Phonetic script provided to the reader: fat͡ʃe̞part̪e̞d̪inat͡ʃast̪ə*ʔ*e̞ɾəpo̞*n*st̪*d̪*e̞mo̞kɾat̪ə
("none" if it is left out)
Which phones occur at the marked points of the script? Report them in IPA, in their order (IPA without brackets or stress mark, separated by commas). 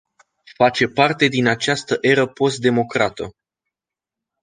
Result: ʔ, none, d̪